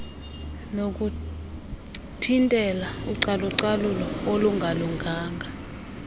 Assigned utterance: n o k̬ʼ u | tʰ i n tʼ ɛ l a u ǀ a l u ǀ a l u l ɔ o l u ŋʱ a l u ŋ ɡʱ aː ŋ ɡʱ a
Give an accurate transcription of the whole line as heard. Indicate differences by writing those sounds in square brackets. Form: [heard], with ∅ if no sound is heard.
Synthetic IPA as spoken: n o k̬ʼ u | tʰ i n tʼ ɛ l a u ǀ a l u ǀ a l u l ɔ o l u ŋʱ a l u ŋ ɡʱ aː ŋ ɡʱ a